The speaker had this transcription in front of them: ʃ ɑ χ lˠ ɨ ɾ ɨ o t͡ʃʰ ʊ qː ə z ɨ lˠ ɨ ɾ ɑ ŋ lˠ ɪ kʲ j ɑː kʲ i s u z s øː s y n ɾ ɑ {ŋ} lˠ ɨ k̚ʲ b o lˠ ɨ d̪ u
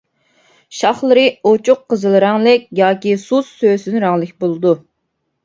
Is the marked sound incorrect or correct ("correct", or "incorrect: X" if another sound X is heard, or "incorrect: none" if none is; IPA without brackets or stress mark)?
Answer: correct